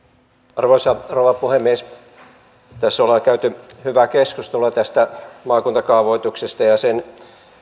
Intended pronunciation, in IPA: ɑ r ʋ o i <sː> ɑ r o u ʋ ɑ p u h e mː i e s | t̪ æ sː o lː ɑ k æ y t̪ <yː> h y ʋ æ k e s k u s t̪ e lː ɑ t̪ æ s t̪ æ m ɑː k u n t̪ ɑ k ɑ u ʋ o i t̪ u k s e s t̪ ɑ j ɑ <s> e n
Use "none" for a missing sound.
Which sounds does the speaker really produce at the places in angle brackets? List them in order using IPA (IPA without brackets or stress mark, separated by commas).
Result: s, y, s